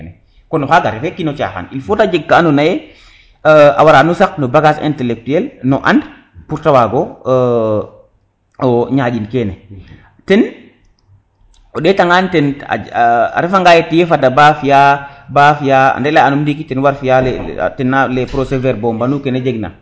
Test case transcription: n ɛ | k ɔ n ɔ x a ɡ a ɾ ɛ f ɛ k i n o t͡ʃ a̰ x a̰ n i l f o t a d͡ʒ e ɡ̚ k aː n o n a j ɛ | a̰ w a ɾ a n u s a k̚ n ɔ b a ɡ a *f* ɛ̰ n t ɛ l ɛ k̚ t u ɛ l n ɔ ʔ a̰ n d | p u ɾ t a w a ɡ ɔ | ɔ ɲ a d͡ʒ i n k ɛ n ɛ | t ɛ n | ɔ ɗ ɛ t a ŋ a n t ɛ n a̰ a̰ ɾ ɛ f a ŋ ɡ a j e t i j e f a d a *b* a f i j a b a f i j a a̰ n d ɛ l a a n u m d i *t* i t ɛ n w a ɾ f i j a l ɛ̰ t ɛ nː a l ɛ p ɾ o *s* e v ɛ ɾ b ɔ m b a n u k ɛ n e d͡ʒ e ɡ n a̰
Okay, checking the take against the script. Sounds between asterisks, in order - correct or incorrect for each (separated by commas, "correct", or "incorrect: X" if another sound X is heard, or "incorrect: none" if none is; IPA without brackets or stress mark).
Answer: incorrect: s, correct, incorrect: k, correct